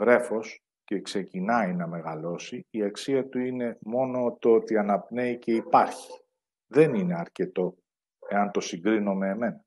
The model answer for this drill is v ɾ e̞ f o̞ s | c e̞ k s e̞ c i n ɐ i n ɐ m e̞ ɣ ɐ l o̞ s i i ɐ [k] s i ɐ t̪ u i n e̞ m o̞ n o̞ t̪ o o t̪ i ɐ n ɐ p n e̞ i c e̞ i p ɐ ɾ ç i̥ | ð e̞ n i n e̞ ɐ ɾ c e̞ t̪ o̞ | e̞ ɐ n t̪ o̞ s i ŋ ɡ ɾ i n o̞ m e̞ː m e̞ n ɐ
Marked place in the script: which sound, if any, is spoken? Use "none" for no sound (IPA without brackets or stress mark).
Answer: k